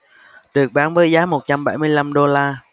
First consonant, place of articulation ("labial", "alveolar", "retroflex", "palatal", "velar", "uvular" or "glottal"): alveolar